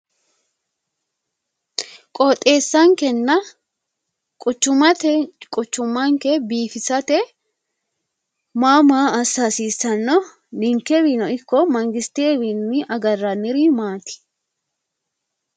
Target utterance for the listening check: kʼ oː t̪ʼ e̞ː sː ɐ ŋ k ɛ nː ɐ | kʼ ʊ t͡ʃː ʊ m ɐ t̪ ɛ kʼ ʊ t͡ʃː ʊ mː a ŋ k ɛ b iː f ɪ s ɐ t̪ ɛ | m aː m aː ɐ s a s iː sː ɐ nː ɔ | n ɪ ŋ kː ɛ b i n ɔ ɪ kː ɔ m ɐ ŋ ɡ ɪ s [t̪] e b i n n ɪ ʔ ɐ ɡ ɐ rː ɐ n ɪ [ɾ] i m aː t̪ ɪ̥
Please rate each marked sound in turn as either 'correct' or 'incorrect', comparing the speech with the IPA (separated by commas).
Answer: correct, correct